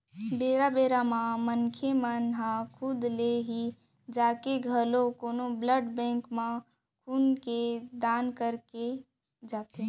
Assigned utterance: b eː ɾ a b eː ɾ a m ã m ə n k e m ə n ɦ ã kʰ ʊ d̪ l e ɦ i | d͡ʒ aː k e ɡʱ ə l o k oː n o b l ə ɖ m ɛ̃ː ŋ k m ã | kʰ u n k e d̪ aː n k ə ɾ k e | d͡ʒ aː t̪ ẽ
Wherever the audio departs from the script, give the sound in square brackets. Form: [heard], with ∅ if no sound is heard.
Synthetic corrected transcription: b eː ɾ a b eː ɾ a m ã m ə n [kʰ] e m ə n ɦ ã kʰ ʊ d̪ l e ɦ i | d͡ʒ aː k e ɡʱ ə l o k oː n o b l ə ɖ [b] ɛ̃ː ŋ k m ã | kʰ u n k e d̪ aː n k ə ɾ k e | d͡ʒ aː t̪ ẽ